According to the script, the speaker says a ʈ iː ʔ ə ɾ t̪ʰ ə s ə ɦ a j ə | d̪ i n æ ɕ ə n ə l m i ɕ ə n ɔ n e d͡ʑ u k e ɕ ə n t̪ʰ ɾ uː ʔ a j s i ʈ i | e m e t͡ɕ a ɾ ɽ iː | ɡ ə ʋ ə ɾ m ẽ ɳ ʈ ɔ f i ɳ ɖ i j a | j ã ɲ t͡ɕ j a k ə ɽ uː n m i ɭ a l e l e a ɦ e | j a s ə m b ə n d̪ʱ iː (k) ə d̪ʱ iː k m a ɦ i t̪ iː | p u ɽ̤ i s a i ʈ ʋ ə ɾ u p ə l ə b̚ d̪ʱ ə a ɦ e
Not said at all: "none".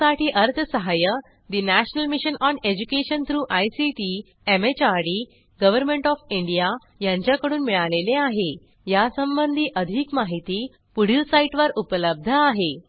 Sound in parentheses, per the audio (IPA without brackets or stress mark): ʔ